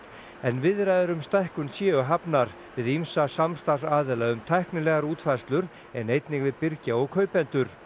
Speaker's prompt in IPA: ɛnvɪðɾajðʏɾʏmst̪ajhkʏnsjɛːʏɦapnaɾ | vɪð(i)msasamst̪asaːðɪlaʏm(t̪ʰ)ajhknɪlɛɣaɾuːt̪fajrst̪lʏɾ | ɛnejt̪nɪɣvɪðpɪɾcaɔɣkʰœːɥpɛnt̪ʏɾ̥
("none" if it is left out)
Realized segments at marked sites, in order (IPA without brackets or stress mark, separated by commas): i, t̪ʰ